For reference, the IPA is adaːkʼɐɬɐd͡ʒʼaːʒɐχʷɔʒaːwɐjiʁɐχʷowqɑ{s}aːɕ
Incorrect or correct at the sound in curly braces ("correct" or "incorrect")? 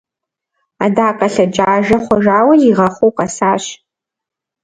correct